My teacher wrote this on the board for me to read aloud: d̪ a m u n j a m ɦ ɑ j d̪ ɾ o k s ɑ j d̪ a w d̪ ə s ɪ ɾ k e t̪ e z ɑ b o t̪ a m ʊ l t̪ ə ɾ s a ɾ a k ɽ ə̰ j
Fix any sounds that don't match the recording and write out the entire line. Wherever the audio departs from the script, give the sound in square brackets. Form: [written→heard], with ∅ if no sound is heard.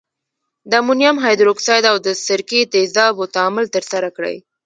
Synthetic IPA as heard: d̪ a m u n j a m ɦ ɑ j d̪ ɾ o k s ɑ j d̪ a w d̪ ə s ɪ ɾ k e t̪ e z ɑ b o t̪ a m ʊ l t̪ ə ɾ s a ɾ a k ɽ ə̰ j

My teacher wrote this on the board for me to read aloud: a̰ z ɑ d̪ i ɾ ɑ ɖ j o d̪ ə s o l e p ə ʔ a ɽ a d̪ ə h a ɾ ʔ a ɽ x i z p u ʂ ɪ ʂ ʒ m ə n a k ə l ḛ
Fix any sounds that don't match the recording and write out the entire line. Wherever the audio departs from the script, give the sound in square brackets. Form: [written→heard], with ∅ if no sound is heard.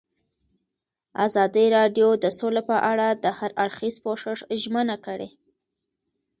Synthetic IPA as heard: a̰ z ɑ d̪ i ɾ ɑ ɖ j o d̪ ə s o l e p ə ʔ a ɽ a d̪ ə h a ɾ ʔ a ɽ x i z p [u→o] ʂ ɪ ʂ ʒ m ə n a k ə [l→ɽ] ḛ

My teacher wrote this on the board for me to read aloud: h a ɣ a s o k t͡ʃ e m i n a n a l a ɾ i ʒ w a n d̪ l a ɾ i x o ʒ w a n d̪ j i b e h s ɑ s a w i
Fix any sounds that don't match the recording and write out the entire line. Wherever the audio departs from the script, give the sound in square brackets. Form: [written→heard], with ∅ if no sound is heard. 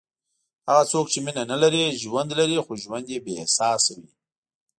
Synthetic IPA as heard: h a ɣ a [s→t͡s] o k t͡ʃ e m i n a n a l a ɾ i ʒ w a n d̪ l a ɾ i x o ʒ w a n d̪ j [i→e] b e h s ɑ s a w i

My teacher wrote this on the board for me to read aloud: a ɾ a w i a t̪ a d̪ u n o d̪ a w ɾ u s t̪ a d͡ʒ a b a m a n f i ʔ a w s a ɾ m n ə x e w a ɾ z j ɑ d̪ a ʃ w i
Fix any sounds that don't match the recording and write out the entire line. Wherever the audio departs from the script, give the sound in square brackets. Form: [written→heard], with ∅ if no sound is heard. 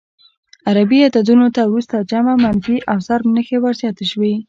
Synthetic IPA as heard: a ɾ a [w→b] i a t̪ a d̪ u n o [d̪→t̪] a w ɾ u s t̪ a d͡ʒ a [b→m] a m a n f i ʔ a w s a ɾ m n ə x e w a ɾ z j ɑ [d̪→t̪] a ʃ w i

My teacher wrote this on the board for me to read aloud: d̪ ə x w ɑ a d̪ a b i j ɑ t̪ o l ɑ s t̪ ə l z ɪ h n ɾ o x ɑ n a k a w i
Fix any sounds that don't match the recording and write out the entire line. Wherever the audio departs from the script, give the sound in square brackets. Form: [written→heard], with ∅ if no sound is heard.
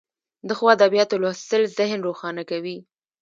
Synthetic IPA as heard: d̪ ə x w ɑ a d̪ a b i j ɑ t̪ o l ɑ s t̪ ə l z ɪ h n ɾ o x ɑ n a k a w i

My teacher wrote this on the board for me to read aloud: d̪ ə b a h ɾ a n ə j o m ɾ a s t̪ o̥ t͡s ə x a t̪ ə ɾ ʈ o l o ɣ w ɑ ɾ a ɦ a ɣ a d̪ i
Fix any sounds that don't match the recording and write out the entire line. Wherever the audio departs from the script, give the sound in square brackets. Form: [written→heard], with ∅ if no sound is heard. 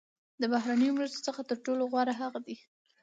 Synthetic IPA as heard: d̪ ə b a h ɾ a n ə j o m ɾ a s t̪ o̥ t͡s ə x a t̪ ə ɾ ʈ o l o ɣ w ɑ ɾ a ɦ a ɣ a d̪ i

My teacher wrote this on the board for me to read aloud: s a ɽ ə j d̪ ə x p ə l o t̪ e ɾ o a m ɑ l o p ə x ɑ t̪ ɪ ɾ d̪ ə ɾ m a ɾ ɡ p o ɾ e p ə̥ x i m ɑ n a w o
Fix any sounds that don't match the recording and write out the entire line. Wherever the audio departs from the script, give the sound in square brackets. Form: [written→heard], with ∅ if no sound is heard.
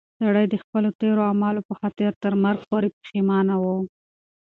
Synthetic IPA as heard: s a ɽ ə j d̪ ə x p ə l o t̪ e ɾ o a m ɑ l o p ə x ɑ t̪ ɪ ɾ [d̪→t̪] ə ɾ m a ɾ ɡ p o ɾ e p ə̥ x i m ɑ n a w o

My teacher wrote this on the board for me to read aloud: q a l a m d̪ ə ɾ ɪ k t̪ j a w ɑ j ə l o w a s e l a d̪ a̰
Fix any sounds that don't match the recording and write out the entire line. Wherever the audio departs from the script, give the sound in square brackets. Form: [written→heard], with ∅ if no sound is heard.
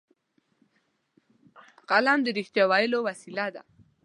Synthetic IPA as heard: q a l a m d̪ ə ɾ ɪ [k→x] t̪ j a w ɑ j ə l o w a s [e→i] l a d̪ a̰

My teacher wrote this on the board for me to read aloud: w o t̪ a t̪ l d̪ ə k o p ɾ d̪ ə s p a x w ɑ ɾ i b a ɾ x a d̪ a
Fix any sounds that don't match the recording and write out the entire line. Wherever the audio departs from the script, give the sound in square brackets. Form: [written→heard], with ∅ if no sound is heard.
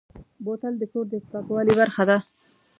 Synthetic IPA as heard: [w→b] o t̪ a [t̪→∅] l d̪ ə k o [p→∅] ɾ d̪ ə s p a [x→k] w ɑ [ɾ→l] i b a ɾ x a d̪ a

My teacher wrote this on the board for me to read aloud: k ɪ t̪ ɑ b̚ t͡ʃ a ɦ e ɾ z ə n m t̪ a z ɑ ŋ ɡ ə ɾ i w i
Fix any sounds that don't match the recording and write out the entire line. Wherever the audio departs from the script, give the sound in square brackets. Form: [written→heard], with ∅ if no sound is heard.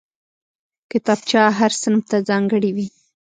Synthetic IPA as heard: k ɪ t̪ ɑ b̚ t͡ʃ [a→ɑ] ɦ [e→a] ɾ [z→s] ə n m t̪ a z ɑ ŋ ɡ ə [ɾ→ɽ] i w i

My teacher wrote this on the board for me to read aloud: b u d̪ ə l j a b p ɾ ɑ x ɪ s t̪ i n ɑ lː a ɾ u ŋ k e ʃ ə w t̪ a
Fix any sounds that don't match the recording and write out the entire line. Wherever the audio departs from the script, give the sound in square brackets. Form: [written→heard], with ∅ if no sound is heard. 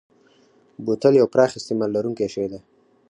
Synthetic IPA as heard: b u [d̪→t̪] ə l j a [b→w] p ɾ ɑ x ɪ s t̪ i [n→m] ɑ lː a ɾ u ŋ k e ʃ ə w [t̪→d̪] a

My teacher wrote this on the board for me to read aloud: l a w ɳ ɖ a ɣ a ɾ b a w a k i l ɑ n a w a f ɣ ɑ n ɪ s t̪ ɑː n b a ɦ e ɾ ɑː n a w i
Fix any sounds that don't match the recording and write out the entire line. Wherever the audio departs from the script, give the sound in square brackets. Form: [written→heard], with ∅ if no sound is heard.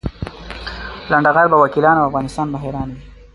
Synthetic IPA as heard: l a [w→∅] ɳ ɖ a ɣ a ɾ b a w a k i l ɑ n a w a f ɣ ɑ n ɪ s t̪ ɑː n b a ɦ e ɾ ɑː n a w i

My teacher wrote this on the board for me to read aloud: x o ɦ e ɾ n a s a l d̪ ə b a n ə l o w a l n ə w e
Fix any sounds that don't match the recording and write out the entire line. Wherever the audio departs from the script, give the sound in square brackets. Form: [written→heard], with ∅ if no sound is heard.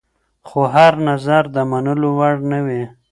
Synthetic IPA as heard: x o ɦ [e→a] ɾ n a [s→z] a [l→ɾ] d̪ ə [b→m] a n ə l o w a [l→ɽ] n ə w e

